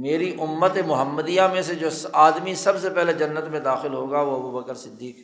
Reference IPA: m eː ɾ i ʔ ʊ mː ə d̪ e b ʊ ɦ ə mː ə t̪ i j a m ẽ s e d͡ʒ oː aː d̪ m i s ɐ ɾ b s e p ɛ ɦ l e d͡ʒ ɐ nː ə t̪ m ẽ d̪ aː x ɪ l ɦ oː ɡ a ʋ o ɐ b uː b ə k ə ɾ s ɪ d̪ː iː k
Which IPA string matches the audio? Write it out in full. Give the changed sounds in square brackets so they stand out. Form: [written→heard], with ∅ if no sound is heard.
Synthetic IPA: m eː ɾ i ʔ ʊ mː ə [d̪→t̪] e [b→m] ʊ ɦ ə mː ə [t̪→d̪] i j a m ẽ s e d͡ʒ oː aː d̪ m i s ɐ [ɾ→∅] b s e p ɛ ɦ l e d͡ʒ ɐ nː ə t̪ m ẽ d̪ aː x ɪ l ɦ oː ɡ a ʋ o ɐ b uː b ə k ə ɾ s ɪ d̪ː iː k